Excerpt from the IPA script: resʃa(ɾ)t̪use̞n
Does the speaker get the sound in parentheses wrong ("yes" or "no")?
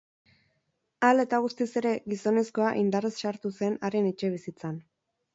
no